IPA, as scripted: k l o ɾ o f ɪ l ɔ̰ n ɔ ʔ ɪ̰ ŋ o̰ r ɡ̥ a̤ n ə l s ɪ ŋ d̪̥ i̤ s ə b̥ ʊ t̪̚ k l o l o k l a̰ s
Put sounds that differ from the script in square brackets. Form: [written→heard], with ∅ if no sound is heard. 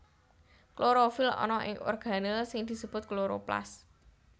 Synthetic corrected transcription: k l o ɾ o f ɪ l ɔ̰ n ɔ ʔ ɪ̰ ŋ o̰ r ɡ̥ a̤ n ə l s ɪ ŋ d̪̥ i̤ s ə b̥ ʊ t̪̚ k l o [l→ɾ] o [k→p] l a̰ s